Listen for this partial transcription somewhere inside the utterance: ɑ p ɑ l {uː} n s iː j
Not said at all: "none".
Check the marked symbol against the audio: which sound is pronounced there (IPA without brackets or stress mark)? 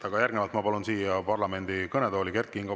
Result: u